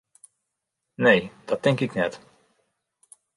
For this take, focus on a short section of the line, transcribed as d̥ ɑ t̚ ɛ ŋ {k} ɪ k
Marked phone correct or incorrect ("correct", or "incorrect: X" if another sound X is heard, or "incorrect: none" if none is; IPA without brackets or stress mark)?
correct